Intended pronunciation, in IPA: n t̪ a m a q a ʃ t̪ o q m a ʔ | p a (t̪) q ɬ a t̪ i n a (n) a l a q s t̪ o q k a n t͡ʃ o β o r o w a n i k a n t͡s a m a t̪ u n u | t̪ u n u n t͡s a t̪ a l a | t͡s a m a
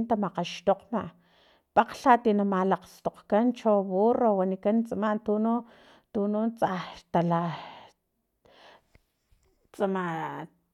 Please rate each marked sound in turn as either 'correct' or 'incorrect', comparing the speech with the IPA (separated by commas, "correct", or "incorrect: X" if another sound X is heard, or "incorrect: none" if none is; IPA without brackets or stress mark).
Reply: incorrect: none, incorrect: m